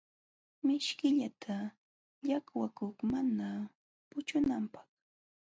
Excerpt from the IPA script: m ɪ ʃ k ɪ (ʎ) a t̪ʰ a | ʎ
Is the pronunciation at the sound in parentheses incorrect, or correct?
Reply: correct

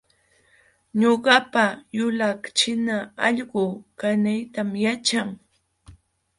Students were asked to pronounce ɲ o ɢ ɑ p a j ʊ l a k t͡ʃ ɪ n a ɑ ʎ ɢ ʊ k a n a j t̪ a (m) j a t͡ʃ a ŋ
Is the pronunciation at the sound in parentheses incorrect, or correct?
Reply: correct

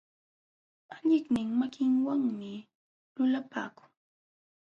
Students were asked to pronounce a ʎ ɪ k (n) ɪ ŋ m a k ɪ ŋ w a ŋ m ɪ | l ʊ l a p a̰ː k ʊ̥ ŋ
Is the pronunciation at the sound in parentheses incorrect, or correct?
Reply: correct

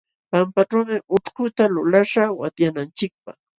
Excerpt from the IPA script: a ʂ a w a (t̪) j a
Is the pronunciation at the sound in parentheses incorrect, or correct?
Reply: correct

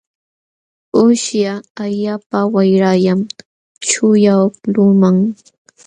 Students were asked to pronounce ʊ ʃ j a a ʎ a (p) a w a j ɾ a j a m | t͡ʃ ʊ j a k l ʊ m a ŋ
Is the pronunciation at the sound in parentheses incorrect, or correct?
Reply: correct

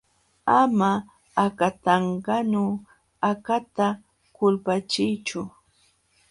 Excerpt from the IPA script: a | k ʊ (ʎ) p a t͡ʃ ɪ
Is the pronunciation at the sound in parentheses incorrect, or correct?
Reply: incorrect: l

